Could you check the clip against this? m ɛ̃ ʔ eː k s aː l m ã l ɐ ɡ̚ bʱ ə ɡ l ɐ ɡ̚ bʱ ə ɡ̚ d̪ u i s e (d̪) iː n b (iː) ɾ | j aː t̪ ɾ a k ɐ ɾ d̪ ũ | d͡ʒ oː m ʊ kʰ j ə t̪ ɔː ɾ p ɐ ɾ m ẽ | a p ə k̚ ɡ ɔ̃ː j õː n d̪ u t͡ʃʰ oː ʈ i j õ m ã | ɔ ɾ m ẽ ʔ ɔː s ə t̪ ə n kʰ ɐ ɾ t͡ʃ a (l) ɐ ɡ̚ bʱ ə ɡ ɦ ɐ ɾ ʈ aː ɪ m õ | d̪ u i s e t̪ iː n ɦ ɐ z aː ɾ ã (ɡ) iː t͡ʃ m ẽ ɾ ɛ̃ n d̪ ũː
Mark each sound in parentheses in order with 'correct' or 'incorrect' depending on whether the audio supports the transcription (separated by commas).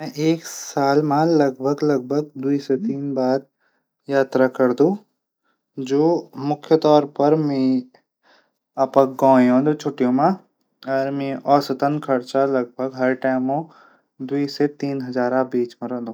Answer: incorrect, incorrect, correct, incorrect